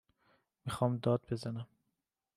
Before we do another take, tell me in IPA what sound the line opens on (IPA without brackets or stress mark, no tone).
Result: m